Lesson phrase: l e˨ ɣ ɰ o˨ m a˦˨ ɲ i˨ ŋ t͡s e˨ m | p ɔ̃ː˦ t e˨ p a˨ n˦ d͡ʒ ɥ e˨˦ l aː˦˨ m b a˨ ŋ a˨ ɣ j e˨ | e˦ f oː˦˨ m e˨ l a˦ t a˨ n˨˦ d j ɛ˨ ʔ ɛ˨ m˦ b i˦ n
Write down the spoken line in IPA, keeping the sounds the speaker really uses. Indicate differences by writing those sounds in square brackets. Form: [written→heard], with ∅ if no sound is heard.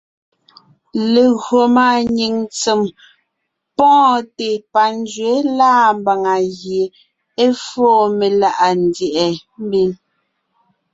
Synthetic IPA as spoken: l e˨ ɣ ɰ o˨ m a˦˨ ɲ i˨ ŋ t͡s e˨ m | p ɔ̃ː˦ t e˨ p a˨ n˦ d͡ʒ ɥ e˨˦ l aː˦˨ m b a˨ ŋ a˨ ɣ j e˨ | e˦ f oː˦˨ m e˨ l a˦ [t→ʔ] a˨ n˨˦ d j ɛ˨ ʔ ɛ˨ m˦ b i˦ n

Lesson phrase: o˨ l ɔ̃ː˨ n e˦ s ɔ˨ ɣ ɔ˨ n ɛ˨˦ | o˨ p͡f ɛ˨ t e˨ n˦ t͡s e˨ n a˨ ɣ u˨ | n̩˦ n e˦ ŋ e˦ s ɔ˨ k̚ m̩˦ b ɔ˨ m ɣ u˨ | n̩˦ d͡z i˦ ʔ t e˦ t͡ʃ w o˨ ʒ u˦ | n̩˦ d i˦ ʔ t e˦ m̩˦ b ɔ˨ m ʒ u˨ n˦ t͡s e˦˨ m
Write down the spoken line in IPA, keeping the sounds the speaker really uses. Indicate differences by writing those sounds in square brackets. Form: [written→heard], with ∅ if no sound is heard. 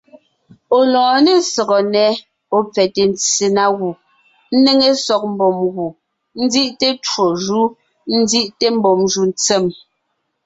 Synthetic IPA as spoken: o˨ l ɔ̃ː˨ n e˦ s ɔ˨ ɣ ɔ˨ n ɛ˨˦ | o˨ p͡f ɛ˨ t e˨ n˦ t͡s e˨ n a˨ ɣ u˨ | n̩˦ n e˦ ŋ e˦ s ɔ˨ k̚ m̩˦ b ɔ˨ m ɣ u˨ | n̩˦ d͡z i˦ ʔ t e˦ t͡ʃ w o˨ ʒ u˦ | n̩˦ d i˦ ʔ t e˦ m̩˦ b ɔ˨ m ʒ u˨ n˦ t͡s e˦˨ m

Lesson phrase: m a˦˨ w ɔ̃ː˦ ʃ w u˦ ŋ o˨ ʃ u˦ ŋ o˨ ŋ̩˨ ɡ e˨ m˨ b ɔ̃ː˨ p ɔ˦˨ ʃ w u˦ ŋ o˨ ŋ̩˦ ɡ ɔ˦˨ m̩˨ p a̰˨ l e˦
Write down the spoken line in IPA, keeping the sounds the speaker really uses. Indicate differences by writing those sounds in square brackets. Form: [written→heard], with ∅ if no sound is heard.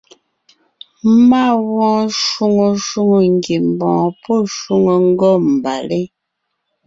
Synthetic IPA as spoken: m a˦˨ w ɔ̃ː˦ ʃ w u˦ ŋ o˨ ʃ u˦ ŋ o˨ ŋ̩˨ ɡ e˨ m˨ b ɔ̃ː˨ p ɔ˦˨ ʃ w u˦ ŋ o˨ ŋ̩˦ ɡ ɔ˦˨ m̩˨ [p→b] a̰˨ l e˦

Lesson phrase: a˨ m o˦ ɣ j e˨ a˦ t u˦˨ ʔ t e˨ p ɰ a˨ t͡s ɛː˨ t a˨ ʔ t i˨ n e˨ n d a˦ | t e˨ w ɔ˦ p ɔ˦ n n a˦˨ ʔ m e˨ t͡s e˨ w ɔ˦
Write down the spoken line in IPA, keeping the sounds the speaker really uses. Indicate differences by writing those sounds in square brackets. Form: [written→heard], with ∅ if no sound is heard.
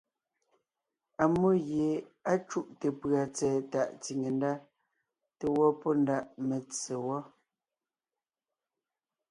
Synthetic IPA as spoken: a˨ m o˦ ɣ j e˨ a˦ [t→t͡ʃ] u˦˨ ʔ t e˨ p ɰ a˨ t͡s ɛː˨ t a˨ ʔ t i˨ [n→ŋ] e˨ n d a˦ | t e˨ w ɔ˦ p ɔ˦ n [n→d] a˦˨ ʔ m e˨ t͡s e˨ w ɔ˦

